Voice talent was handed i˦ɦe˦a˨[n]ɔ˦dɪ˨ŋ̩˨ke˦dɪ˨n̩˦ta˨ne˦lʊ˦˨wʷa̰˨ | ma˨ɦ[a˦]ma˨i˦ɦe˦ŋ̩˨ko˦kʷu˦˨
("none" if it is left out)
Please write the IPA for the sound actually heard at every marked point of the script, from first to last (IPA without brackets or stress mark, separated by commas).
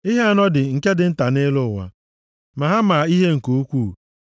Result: n, a˦